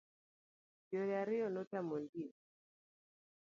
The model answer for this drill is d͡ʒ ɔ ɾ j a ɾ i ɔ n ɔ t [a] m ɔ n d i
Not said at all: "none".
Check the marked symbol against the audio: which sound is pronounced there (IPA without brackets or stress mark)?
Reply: a